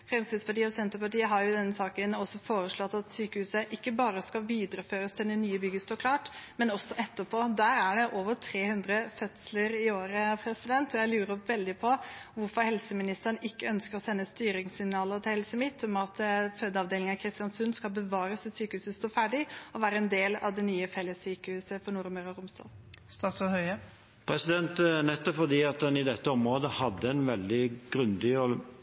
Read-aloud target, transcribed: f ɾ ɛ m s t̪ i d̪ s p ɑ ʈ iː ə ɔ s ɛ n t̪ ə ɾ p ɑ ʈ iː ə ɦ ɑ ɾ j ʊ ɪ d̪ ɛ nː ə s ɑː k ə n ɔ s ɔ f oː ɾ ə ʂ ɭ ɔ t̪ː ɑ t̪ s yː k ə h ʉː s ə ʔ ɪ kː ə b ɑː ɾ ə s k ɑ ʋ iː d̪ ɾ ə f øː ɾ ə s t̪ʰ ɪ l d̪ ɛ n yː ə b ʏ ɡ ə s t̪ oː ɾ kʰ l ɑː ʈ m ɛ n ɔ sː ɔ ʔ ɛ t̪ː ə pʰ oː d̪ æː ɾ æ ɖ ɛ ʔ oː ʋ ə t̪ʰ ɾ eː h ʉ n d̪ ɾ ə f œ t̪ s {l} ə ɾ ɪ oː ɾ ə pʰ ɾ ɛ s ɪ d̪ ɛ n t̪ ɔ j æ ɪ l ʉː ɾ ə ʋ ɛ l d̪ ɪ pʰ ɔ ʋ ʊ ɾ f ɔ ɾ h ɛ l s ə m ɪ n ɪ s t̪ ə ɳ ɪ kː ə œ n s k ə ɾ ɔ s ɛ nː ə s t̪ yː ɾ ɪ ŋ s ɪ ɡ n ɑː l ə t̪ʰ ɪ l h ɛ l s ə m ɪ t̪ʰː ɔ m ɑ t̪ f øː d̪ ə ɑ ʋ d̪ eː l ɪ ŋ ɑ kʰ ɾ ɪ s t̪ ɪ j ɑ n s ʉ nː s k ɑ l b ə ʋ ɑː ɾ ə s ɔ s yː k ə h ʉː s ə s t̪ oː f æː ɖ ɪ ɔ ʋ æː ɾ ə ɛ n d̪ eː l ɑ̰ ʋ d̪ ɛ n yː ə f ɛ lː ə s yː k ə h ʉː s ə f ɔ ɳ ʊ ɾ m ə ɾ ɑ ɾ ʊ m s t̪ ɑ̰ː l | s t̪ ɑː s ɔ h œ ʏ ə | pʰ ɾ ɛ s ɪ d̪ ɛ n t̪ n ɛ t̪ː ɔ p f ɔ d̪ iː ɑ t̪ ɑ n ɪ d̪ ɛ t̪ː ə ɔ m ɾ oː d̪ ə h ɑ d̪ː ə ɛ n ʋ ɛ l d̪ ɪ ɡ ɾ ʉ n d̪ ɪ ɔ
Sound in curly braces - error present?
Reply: no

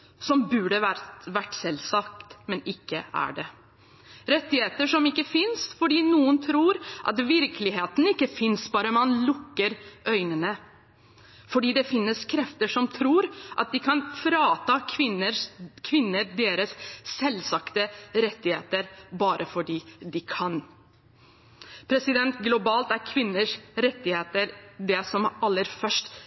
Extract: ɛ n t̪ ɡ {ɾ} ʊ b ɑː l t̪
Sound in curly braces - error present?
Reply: yes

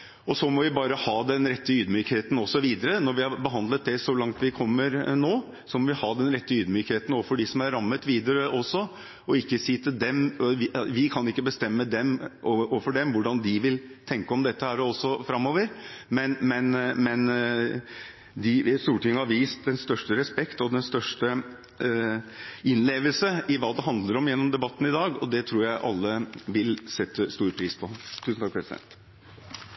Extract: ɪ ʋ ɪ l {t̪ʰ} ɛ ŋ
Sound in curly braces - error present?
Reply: no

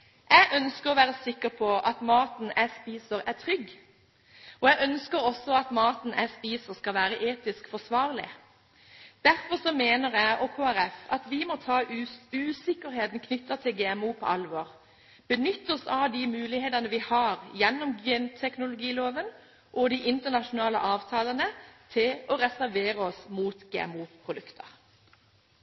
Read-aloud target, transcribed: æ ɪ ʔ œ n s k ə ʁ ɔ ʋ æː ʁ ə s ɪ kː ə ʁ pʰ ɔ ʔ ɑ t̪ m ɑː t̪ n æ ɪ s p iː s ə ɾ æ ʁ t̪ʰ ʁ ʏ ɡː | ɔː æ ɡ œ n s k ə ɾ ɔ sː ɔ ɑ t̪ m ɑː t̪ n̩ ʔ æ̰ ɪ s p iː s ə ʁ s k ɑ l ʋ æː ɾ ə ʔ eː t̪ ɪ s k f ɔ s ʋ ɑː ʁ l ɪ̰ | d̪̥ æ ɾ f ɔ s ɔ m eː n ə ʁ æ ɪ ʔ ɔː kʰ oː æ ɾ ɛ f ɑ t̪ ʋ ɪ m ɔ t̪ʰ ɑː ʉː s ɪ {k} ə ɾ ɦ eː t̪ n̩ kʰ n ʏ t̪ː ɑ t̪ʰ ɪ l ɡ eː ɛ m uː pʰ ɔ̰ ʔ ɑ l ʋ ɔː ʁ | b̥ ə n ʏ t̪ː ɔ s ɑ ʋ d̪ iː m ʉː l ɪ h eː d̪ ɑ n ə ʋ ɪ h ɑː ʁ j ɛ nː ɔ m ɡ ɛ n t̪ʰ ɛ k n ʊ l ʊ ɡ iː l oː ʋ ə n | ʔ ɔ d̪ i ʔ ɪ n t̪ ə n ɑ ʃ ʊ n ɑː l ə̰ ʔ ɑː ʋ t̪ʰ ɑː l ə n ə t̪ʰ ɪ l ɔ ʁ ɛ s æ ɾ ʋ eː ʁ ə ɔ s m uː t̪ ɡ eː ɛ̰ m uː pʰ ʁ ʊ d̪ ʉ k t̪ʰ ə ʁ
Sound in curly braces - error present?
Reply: no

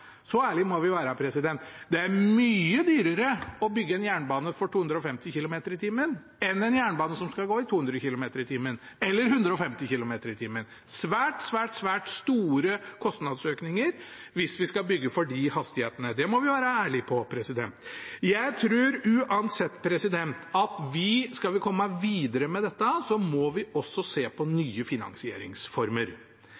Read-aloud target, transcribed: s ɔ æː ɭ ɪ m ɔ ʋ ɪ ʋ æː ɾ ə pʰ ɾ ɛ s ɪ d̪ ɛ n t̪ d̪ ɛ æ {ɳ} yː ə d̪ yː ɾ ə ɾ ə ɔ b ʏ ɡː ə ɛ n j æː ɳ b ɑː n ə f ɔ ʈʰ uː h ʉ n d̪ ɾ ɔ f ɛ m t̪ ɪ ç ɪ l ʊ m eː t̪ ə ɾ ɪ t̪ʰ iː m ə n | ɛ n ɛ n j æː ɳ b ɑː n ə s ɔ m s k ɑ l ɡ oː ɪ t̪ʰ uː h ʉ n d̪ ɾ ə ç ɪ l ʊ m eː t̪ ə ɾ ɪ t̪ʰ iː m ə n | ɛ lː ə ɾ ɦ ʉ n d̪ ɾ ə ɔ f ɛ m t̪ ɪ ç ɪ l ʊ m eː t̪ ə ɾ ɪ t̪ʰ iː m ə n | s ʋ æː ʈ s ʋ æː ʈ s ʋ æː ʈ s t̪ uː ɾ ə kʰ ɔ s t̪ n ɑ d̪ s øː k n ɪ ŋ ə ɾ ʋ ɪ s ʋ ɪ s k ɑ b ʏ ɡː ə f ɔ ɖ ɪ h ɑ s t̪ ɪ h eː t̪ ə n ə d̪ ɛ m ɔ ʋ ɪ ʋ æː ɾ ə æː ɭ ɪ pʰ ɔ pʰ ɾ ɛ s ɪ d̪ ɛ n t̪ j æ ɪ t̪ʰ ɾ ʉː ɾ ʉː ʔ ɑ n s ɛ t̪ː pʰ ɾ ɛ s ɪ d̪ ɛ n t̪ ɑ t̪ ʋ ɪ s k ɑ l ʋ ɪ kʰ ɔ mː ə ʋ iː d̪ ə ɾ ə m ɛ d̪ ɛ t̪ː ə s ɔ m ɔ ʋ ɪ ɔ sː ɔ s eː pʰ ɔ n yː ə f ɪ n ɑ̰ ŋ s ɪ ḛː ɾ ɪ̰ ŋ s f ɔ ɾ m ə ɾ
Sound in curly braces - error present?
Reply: yes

